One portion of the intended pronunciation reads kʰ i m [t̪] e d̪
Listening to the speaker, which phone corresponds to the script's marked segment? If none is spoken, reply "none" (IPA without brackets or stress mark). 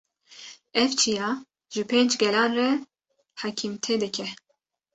t̪ʰ